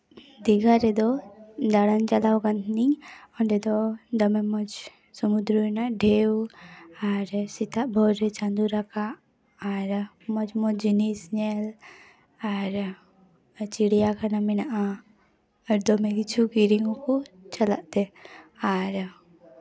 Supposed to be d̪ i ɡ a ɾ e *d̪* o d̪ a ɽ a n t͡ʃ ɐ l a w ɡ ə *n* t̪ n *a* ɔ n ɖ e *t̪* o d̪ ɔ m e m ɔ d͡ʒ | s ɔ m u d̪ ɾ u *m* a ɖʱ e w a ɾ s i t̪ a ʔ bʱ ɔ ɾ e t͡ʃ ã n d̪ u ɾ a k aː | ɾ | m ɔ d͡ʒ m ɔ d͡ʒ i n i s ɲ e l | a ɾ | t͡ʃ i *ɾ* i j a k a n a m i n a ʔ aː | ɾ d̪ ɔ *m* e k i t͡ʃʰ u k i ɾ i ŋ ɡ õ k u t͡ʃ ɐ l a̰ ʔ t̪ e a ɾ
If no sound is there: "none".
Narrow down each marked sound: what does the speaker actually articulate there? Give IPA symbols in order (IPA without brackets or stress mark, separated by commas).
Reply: d̪, n, i, d̪, n, ɽ, m